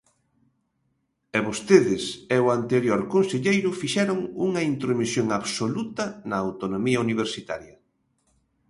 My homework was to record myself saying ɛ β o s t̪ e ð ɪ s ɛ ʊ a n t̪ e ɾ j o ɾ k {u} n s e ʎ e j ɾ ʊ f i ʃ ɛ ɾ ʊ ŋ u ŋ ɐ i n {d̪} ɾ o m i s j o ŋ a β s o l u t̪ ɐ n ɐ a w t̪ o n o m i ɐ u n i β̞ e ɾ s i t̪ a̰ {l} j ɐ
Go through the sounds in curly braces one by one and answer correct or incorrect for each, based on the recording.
incorrect: o, incorrect: t̪, incorrect: ɾ

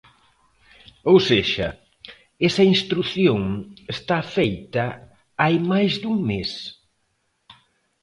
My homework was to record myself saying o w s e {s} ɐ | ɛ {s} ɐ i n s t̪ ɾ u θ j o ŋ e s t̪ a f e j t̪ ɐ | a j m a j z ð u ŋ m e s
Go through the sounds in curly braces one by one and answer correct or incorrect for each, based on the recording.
incorrect: ʃ, correct

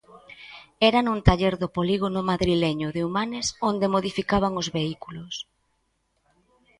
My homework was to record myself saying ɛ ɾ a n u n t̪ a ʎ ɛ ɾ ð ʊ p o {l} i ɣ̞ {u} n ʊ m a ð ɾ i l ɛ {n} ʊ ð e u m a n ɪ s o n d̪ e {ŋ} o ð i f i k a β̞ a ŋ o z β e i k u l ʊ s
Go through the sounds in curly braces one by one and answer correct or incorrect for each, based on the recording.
correct, incorrect: o, incorrect: ɲ, incorrect: m

